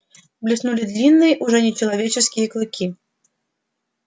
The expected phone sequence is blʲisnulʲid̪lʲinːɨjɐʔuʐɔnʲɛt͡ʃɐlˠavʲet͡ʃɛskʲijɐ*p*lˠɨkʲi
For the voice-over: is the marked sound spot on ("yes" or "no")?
no